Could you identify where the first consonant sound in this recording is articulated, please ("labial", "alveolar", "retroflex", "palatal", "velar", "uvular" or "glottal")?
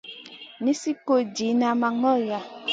alveolar